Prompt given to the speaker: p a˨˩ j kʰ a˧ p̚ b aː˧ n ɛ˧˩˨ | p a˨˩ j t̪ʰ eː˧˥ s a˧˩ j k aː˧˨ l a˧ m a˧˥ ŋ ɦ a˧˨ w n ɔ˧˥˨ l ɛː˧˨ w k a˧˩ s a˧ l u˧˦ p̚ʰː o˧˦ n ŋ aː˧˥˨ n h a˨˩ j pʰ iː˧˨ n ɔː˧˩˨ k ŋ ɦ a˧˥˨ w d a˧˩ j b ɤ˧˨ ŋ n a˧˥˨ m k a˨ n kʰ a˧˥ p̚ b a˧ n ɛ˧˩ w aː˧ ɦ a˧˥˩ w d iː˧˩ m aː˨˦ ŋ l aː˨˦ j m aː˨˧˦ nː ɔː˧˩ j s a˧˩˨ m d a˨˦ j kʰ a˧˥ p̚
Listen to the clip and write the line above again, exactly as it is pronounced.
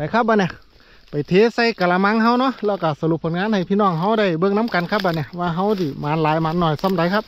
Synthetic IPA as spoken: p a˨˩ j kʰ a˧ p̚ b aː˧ n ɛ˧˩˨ | p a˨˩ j t̪ʰ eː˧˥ s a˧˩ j k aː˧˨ l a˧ m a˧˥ ŋ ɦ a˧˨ w n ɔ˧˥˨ l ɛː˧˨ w k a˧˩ s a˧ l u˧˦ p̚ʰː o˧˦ n ŋ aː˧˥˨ n h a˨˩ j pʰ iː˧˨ n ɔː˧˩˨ ŋ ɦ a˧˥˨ w d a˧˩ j b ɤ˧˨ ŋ n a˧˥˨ m k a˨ n kʰ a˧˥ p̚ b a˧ n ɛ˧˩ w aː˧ ɦ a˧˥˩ w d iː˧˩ m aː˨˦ n l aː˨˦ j m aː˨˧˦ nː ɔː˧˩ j s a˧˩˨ m d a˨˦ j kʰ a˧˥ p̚